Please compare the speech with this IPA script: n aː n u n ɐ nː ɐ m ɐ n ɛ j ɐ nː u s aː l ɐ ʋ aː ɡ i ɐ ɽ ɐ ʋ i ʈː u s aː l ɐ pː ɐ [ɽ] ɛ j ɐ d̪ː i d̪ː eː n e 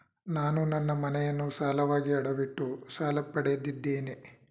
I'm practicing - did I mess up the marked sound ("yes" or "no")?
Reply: no